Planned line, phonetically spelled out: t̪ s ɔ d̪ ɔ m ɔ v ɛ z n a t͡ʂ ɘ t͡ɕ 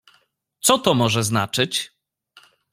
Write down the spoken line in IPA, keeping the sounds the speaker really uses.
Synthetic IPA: t̪ s ɔ t̪ ɔ m ɔ ʐ ɛ z n a t͡ʂ ɘ t͡ɕ